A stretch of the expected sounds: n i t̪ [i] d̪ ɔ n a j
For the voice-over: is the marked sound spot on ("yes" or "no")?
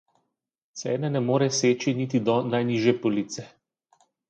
yes